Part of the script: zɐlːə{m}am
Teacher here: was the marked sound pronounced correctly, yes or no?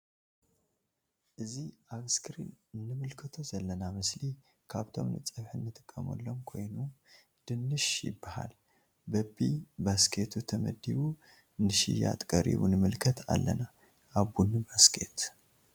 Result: no